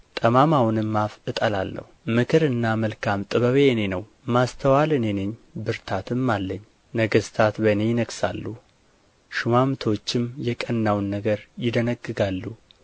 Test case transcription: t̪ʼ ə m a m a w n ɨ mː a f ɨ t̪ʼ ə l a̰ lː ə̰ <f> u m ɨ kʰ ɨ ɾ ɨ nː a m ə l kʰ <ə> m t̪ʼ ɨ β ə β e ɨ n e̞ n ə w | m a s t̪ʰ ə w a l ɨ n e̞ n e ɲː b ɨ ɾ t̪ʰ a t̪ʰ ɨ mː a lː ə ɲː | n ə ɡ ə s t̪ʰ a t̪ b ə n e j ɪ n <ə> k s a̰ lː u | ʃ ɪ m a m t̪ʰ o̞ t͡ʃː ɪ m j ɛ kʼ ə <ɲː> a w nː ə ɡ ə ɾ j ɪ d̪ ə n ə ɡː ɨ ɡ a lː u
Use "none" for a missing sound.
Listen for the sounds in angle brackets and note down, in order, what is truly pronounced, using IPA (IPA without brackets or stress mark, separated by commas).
h, a, ə, nː